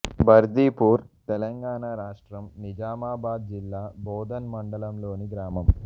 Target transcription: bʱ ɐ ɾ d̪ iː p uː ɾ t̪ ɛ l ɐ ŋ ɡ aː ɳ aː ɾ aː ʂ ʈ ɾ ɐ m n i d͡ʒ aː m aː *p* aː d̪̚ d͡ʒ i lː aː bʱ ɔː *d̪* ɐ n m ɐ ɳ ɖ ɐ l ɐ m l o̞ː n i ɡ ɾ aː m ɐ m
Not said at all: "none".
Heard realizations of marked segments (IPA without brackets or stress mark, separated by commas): b, d̪